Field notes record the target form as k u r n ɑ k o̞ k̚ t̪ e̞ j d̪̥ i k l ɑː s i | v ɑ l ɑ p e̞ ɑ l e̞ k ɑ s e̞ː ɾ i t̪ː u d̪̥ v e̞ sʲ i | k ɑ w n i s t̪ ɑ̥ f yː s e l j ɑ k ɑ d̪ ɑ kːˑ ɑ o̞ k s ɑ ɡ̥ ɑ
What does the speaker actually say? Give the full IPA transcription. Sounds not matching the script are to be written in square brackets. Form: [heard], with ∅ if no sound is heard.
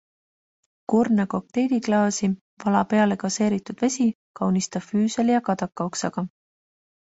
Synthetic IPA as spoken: k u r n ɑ k o̞ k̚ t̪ e̞ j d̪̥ i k l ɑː s i | v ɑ l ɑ p e̞ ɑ l e̞ k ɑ s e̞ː ɾ i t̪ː u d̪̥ v e̞ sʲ i | k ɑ w n i s t̪ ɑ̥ f yː s e l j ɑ k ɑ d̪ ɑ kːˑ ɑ o̞ k s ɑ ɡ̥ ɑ